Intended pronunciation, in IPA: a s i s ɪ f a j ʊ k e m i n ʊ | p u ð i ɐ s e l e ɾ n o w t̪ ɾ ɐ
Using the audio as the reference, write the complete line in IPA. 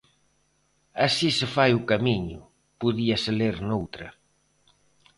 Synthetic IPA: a s i s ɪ f a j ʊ k a m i ɲ ʊ | p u ð i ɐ s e l e ɾ n o w t̪ ɾ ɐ